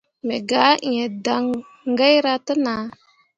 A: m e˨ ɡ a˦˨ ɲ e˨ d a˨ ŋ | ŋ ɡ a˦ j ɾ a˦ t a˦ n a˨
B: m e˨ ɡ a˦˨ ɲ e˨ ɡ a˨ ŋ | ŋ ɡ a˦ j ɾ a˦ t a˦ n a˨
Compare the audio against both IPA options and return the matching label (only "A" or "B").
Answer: A